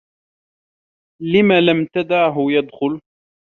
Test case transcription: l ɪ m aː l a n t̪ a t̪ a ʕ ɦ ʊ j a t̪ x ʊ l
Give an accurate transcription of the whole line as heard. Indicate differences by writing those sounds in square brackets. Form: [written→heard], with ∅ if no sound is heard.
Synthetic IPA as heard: l ɪ m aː l a [n→m] t̪ a [t̪→d̪] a ʕ ɦ ʊ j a [t̪→d̪] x ʊ l